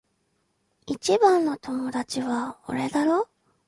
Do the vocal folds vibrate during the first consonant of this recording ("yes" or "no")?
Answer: no